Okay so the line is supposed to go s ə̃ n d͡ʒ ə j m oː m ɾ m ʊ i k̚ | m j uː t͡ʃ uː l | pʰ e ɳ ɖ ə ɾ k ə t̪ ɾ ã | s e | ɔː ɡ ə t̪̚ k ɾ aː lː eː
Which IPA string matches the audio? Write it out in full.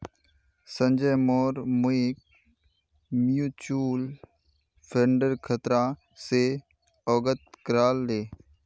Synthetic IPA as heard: s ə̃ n d͡ʒ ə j m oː ɾ m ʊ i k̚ | m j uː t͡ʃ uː l | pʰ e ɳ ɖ ə ɾ kʰ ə t̪ ɾ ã | s e | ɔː ɡ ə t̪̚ k ɾ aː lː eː